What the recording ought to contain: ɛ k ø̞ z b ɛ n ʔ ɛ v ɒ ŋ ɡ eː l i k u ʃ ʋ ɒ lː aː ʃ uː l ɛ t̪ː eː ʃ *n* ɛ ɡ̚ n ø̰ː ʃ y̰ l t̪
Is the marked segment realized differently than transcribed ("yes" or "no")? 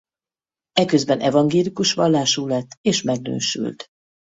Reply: yes